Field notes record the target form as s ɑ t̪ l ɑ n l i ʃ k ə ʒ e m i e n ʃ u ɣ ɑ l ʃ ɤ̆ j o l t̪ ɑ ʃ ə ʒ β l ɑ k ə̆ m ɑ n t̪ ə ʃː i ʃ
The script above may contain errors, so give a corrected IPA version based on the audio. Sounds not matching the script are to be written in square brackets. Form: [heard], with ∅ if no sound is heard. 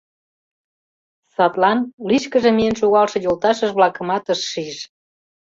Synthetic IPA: s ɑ t̪ l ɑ n l i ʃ k ə ʒ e m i e n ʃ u ɣ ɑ l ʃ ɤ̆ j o l t̪ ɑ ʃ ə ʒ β l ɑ k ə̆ m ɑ [∅] t̪ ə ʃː i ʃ